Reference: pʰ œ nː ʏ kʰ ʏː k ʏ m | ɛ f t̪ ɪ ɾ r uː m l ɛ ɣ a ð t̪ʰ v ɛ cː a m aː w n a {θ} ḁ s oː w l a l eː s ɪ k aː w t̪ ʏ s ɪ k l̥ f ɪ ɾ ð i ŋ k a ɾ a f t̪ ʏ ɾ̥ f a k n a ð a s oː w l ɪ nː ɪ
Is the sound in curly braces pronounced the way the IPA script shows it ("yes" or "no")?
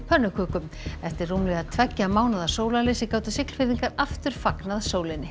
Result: no